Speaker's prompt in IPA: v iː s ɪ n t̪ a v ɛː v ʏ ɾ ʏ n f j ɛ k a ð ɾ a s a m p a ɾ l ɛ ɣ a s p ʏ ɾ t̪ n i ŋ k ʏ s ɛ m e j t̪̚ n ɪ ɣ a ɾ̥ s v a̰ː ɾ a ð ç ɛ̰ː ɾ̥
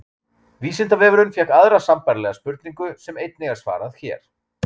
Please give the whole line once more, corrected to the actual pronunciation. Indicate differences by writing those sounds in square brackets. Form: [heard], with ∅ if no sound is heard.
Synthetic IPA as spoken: v iː s ɪ n t̪ a v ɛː v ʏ ɾ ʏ n f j ɛ k a ð ɾ a s a m p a ɾ l ɛ ɣ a s p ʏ ɾ t̪ n i ŋ k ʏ s ɛ m e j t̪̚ n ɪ ɣ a ɾ̥ s v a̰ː ɾ a ð ç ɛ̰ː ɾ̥